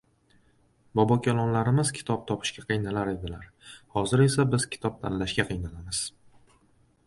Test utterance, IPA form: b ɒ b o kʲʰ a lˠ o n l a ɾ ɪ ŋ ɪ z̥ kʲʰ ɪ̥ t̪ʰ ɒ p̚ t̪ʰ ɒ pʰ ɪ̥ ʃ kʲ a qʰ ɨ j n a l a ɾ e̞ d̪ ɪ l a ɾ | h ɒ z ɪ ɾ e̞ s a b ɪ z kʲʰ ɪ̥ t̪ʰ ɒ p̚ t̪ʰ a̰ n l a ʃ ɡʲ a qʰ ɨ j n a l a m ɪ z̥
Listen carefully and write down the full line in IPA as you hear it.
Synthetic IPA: b ɒ b ɒ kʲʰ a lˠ ɒ n l a ɾ ɪ m ɪ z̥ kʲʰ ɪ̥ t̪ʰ ɒ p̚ t̪ʰ ɒ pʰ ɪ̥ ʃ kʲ a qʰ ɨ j n a l a ɾ e̞ d̪ ɪ l a ɾ | h ɒ z ɪ ɾ e̞ s a b ɪ z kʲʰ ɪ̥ t̪ʰ ɒ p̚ t̪ʰ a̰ n l a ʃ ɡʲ a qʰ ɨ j n a l a m ɪ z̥